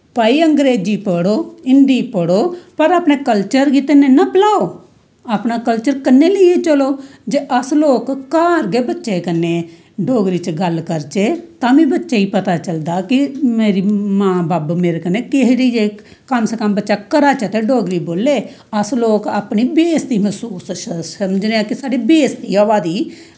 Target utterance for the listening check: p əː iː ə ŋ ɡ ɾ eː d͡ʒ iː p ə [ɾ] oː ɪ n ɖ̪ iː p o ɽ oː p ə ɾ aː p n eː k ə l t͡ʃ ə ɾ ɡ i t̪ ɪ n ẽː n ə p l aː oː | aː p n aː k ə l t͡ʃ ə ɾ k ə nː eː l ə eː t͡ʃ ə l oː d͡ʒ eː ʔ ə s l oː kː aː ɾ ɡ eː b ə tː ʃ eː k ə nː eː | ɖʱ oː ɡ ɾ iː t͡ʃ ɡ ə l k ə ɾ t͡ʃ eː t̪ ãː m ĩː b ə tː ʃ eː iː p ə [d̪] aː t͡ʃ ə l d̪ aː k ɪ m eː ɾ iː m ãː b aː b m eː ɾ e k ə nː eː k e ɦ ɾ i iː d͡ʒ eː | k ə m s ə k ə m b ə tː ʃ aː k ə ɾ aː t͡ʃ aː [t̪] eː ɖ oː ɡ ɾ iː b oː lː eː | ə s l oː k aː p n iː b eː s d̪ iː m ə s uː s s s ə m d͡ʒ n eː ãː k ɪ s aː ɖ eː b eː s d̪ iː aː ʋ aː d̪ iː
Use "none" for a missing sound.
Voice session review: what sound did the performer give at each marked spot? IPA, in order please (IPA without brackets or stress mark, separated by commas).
ɽ, t̪, t̪